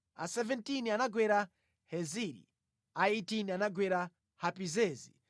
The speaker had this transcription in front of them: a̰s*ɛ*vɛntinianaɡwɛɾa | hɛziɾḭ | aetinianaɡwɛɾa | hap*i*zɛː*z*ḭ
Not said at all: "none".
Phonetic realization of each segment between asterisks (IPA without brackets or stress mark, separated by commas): ɛ, i, z